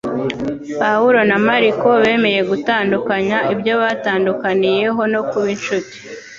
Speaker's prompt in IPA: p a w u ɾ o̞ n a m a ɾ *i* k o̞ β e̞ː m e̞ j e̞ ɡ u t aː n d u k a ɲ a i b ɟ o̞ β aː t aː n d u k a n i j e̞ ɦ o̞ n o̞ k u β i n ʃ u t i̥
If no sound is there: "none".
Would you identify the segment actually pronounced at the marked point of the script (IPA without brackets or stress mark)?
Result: i